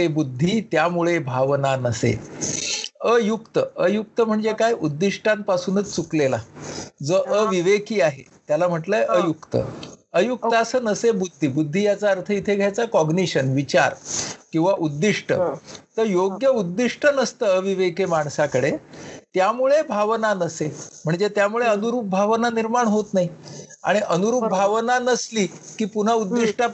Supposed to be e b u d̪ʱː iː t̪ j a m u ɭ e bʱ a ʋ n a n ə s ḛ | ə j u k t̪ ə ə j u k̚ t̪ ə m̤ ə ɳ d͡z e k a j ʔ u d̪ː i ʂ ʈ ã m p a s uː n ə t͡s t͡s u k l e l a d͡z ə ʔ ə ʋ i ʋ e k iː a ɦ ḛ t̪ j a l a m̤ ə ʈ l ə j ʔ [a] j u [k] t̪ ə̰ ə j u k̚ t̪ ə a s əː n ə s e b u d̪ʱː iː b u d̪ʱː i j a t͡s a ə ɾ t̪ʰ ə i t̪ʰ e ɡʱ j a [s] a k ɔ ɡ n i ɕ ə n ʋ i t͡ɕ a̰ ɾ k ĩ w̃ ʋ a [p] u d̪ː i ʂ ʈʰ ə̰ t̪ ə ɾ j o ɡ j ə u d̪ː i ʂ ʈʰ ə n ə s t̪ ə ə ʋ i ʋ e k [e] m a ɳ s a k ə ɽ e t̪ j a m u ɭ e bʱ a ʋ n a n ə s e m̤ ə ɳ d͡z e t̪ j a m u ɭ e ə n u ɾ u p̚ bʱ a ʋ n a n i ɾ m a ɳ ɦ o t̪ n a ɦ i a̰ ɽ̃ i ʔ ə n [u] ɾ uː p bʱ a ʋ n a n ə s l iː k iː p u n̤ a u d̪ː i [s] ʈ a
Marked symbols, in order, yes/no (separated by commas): no, yes, no, no, yes, yes, no